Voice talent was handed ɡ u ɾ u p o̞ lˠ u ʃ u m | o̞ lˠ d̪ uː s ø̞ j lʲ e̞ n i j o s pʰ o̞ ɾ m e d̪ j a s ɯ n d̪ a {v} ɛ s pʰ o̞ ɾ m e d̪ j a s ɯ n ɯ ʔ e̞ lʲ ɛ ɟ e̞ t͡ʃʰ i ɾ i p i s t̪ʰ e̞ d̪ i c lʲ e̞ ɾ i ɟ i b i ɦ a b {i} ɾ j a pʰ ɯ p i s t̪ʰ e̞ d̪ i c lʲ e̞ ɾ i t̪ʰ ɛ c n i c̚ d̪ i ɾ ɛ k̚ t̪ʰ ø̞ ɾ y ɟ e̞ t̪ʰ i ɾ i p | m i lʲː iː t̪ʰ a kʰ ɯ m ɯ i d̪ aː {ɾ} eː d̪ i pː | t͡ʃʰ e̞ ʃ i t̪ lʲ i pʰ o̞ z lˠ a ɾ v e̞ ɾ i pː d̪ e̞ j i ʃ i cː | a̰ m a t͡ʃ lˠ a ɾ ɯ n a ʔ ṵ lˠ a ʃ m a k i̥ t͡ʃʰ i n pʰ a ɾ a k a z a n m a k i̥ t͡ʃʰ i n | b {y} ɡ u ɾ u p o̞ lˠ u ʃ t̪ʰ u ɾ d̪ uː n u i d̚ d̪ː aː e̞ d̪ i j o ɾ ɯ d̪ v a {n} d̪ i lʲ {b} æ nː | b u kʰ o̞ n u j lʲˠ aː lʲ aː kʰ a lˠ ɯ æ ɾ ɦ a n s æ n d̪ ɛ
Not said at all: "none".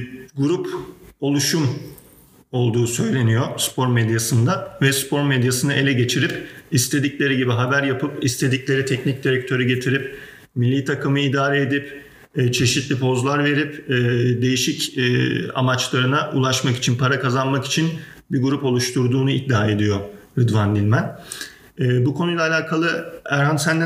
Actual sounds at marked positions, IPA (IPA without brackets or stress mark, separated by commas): v, æ, ɾ, i, n, m